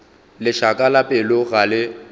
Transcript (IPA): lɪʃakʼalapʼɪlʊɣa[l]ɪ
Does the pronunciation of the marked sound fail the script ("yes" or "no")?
no